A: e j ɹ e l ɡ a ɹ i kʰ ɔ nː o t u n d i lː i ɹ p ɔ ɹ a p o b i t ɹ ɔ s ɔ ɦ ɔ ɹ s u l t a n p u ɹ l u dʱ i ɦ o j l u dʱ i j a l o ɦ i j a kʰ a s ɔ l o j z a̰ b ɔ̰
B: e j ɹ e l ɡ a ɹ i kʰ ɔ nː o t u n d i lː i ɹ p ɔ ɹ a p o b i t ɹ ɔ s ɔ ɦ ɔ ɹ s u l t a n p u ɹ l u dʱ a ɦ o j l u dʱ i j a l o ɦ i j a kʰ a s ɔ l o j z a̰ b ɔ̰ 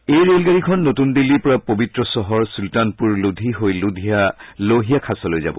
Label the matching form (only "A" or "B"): A